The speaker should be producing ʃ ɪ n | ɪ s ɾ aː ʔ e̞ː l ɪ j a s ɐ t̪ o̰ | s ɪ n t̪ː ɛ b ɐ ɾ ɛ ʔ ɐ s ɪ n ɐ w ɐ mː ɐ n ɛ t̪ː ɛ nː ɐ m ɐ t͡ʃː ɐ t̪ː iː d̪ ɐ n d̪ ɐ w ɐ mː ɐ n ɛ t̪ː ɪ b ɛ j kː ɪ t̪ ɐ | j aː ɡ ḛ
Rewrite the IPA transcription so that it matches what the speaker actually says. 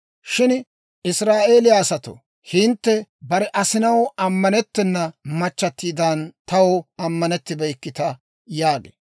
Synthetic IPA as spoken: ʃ ɪ n | ɪ s ɾ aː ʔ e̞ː l ɪ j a s ɐ t̪ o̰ | h ɪ n t̪ː ɛ b ɐ ɾ ɛ ʔ ɐ s ɪ n ɐ w ɐ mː ɐ n ɛ t̪ː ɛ nː ɐ m ɐ t͡ʃː ɐ t̪ː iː d̪ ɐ n t̪ ɐ w ɐ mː ɐ n ɛ t̪ː ɪ b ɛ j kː ɪ t̪ ɐ | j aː ɡ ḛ

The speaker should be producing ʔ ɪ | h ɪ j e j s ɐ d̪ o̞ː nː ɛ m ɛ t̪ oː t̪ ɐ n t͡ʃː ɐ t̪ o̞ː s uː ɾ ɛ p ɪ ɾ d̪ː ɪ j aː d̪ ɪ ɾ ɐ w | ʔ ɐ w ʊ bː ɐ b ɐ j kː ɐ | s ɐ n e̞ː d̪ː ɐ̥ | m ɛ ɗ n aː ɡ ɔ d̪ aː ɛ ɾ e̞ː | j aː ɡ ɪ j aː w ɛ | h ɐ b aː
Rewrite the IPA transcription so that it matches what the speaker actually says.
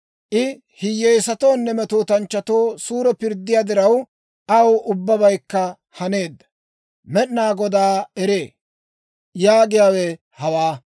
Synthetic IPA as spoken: ʔ ɪ | h ɪ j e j s ɐ t̪ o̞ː nː ɛ m ɛ t̪ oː t̪ ɐ n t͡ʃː ɐ t̪ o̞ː s uː ɾ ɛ p ɪ ɾ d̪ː ɪ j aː d̪ ɪ ɾ ɐ w | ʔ ɐ w ʊ bː ɐ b ɐ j kː ɐ | h ɐ n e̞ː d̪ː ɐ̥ | m ɛ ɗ n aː ɡ ɔ d̪ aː ɛ ɾ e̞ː | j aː ɡ ɪ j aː w ɛ | h ɐ w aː

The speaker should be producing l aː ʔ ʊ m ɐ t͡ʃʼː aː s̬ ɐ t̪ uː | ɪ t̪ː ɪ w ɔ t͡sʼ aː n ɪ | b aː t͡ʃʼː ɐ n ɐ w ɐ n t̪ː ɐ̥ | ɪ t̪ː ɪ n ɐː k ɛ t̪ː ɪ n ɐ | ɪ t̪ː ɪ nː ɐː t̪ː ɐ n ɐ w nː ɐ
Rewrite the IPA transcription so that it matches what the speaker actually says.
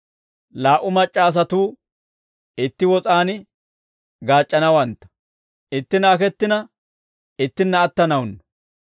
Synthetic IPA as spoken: l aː ʔ ʊ m ɐ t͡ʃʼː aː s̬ ɐ t̪ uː | ɪ t̪ː ɪ w ɔ t͡sʼ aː n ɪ | ɡ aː t͡ʃʼː ɐ n ɐ w ɐ n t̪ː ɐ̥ | ɪ t̪ː ɪ n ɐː k ɛ t̪ː ɪ n ɐ | ɪ t̪ː ɪ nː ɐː t̪ː ɐ n ɐ w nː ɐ

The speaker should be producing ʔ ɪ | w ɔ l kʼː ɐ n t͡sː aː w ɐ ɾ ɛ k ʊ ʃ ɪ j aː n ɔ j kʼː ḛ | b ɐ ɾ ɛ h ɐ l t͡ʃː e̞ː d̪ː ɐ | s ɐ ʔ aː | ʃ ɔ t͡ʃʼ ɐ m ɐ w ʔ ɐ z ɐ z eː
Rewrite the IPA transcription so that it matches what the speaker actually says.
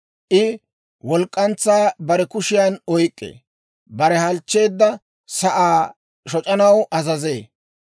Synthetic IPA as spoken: ʔ ɪ | w ɔ l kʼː ɐ n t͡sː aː b ɐ ɾ ɛ k ʊ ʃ ɪ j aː n ɔ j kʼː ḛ | b ɐ ɾ ɛ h ɐ l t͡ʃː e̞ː d̪ː ɐ | s ɐ ʔ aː | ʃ ɔ t͡ʃʼ ɐ n ɐ w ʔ ɐ z ɐ z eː

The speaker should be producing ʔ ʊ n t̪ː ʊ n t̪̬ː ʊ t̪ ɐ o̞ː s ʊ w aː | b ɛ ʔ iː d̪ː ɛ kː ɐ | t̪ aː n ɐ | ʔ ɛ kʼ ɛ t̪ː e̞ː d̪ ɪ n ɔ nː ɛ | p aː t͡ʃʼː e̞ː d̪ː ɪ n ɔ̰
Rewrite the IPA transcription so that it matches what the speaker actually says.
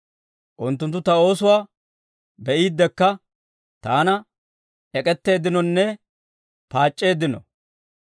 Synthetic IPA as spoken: ʔ ʊ n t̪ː ʊ n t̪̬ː ʊ t̪ ɐ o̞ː s ʊ w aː | b ɛ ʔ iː d̪ː ɛ kː ɐ | t̪ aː n ɐ | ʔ ɛ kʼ ɛ t̪ː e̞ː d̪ ɪ n ɔ nː ɛ | p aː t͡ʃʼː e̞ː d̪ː ɪ n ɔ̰

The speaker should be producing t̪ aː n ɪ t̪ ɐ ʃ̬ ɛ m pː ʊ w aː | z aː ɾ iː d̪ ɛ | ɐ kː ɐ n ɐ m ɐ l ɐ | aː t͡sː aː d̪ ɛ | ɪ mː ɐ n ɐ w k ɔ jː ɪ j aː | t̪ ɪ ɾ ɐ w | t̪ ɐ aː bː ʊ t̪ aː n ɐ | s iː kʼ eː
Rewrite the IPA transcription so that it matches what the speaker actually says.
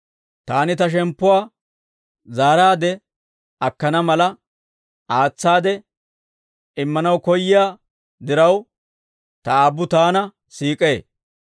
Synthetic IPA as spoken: t̪ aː n ɪ t̪ ɐ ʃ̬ ɛ m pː ʊ w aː | z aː ɾ aː d̪ ɛ | ɐ kː ɐ n ɐ m ɐ l ɐ | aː t͡sː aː d̪ ɛ | ɪ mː ɐ n ɐ w k ɔ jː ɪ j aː | d̪ ɪ ɾ ɐ w | t̪ ɐ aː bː ʊ t̪ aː n ɐ | s iː kʼ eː

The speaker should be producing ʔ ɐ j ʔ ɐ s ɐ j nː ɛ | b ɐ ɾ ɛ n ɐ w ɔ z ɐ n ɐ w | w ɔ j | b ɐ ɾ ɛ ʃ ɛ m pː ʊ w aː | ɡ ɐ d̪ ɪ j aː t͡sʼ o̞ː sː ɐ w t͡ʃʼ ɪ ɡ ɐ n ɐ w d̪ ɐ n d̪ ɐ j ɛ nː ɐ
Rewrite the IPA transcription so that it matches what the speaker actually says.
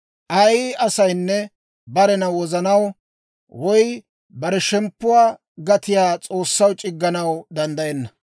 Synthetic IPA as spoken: ʔ ɐ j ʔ ɐ s ɐ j nː ɛ | b ɐ ɾ ɛ n ɐ w ɔ z ɐ n ɐ w | w ɔ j | b ɐ ɾ ɛ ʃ ɛ m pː ʊ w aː | ɡ ɐ t̪ ɪ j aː t͡sʼ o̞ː sː ɐ w t͡ʃʼ ɪ ɡː ɐ n ɐ w d̪ ɐ n d̪ ɐ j ɛ nː ɐ

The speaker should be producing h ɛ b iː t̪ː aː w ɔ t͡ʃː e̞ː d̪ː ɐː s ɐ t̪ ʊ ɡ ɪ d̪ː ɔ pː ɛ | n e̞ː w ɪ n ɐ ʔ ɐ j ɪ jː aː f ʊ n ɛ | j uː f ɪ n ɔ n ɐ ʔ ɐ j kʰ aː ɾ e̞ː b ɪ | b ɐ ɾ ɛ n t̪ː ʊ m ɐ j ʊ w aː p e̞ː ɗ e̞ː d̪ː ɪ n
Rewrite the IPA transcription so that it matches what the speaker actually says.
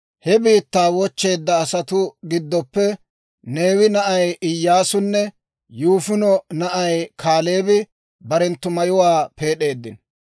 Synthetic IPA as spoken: h ɛ b iː t̪ː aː w ɔ t͡ʃː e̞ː d̪ː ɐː s ɐ t̪ ʊ ɡ ɪ d̪ː ɔ pː ɛ | n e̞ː w ɪ n ɐ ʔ ɐ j ɪ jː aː s ʊ nː ɛ | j uː f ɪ n ɔ n ɐ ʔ ɐ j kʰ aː l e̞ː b ɪ | b ɐ ɾ ɛ n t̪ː ʊ m ɐ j ʊ w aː p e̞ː ɗ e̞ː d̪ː ɪ n

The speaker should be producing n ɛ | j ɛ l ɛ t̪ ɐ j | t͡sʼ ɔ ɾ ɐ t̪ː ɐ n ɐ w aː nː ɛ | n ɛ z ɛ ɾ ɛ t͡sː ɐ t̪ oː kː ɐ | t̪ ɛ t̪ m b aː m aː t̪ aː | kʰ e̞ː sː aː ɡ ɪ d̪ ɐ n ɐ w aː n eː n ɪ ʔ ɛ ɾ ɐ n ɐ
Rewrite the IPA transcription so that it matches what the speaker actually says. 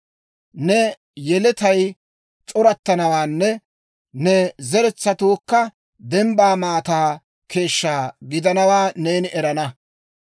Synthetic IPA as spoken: n ɛ | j ɛ l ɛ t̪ ɐ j | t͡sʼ ɔ ɾ ɐ t̪ː ɐ n ɐ w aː nː ɛ | n ɛ z ɛ ɾ ɛ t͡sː ɐ t̪ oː kː ɐ | d̪ ɛ m b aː m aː t̪ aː | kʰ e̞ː ʃː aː ɡ ɪ d̪ ɐ n ɐ w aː n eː n ɪ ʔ ɛ ɾ ɐ n ɐ

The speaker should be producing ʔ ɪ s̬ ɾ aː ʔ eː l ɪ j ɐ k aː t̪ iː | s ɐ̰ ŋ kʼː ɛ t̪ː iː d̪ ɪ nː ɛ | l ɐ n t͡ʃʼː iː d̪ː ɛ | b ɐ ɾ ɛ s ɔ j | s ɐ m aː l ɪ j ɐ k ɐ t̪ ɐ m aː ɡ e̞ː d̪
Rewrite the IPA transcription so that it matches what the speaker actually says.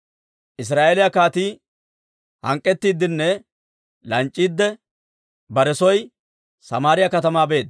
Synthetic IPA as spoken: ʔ ɪ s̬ ɾ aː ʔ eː l ɪ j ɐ k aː t̪ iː | h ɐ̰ ŋ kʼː ɛ t̪ː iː d̪ ɪ nː ɛ | l ɐ n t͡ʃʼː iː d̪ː ɛ | b ɐ ɾ ɛ s ɔ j | s ɐ m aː ɾ ɪ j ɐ k ɐ t̪ ɐ m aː b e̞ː d̪

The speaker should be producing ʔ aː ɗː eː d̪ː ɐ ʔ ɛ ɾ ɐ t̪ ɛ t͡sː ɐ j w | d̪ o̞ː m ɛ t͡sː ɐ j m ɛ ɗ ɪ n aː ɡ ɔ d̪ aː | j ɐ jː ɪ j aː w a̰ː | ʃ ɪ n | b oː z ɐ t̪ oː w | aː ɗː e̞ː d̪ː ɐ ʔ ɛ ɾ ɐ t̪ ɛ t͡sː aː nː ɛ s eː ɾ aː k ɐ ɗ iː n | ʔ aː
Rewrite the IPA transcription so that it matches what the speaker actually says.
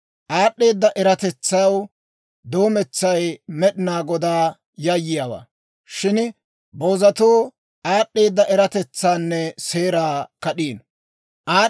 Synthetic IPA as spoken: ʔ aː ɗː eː d̪ː ɐ ʔ ɛ ɾ ɐ t̪ ɛ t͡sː ɐ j w | d̪ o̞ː m ɛ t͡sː ɐ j m ɛ ɗ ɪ n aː ɡ ɔ d̪ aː | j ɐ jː ɪ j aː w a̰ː | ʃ ɪ n | b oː z ɐ t̪ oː | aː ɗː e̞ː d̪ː ɐ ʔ ɛ ɾ ɐ t̪ ɛ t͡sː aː nː ɛ s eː ɾ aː k ɐ ɗ iː n | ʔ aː

